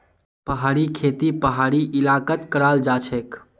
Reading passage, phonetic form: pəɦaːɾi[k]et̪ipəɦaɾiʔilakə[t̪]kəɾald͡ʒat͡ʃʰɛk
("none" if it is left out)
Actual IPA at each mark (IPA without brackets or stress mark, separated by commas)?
kʰ, t̪